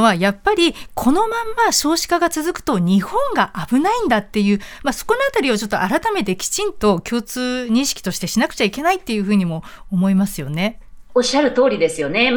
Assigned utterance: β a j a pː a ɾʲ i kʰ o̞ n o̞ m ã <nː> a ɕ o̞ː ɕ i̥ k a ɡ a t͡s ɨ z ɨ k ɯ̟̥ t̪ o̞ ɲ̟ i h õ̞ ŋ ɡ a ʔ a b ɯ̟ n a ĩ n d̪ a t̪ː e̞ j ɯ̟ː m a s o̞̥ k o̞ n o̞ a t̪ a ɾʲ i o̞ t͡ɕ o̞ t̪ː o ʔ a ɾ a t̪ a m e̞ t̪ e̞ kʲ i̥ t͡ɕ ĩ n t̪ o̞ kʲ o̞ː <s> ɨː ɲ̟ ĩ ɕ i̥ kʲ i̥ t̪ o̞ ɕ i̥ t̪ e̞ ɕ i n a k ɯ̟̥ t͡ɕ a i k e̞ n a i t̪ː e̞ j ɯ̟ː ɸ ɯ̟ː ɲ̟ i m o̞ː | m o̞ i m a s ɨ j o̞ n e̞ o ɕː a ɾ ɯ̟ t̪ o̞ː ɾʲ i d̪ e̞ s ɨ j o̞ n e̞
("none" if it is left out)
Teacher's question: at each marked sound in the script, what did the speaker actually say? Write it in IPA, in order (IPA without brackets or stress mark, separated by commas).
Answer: mː, t͡s